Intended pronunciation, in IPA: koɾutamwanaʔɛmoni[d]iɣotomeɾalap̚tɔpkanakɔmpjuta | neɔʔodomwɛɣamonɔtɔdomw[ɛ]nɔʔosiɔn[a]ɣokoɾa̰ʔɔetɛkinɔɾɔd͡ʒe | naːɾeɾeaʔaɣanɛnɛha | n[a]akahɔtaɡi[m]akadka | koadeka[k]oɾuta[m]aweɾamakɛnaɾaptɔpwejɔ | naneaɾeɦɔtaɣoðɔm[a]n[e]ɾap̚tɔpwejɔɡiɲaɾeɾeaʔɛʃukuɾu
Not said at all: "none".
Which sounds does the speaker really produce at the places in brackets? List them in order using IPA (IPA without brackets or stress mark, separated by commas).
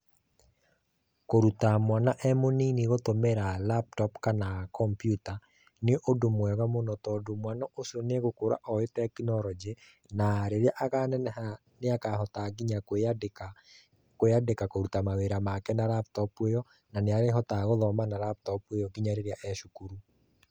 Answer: n, a, e, e, ɲ, k, m, a, a